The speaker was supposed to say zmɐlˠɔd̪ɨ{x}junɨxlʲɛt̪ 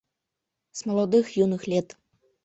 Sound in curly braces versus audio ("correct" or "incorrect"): correct